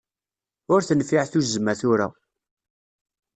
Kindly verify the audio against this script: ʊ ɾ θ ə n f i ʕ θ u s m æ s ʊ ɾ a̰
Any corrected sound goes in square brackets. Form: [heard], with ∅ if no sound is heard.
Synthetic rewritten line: ʊ ɾ θ ə n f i ʕ θ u [z] m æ [θ] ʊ ɾ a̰